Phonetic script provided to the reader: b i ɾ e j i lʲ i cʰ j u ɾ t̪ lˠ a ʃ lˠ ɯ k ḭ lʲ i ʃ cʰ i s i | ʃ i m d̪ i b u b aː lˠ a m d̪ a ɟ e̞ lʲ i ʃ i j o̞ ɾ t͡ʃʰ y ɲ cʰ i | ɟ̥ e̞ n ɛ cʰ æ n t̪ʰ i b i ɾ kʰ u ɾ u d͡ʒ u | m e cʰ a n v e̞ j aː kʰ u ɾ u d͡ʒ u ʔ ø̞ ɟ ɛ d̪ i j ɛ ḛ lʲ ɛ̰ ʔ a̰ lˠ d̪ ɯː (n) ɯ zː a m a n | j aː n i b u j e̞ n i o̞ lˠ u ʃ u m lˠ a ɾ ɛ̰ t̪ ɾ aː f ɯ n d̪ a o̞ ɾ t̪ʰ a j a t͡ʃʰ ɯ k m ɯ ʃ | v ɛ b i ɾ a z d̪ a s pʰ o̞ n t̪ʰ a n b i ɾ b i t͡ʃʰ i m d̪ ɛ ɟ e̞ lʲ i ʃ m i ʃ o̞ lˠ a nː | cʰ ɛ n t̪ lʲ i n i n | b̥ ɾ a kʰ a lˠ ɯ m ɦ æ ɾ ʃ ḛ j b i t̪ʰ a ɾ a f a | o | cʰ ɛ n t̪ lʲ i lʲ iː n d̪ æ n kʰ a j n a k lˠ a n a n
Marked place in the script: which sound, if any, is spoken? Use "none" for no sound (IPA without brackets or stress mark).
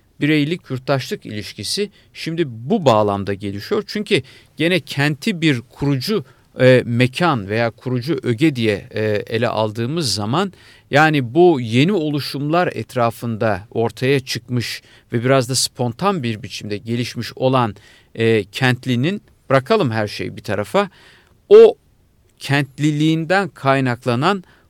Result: m